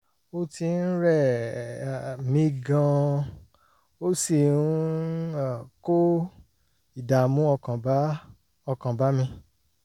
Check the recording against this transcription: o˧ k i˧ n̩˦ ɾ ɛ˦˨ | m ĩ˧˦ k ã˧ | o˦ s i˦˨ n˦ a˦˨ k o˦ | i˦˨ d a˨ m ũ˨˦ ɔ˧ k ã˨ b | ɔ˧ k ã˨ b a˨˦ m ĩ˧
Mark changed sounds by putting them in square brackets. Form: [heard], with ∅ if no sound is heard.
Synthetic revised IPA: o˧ [t] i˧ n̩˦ ɾ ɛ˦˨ | m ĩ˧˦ [ɡ] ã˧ | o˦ s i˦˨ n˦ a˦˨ k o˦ | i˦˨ d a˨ m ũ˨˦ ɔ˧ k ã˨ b | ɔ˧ k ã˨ b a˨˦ m ĩ˧